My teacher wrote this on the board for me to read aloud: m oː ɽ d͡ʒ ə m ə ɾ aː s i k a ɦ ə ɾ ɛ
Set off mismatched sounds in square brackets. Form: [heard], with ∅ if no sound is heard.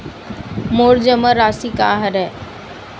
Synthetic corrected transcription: m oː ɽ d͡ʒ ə m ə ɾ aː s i k a ɦ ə ɾ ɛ